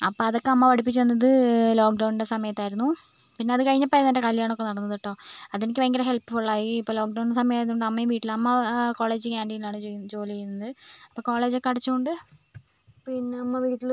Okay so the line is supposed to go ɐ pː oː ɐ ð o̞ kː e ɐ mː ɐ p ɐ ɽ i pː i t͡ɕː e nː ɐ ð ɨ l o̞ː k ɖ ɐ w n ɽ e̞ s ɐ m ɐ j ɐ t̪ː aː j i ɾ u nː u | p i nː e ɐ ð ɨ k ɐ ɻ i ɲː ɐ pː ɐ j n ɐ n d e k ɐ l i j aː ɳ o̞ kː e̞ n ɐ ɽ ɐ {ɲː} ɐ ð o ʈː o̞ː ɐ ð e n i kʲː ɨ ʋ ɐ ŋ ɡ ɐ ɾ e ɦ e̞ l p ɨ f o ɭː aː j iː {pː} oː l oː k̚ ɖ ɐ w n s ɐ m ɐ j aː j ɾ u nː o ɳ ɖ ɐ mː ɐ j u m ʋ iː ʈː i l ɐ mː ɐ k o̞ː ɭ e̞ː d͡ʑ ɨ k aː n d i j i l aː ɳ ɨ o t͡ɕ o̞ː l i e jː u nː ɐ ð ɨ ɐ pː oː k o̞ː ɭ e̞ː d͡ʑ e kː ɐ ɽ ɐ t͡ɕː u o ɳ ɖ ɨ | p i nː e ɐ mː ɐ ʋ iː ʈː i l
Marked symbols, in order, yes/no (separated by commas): no, yes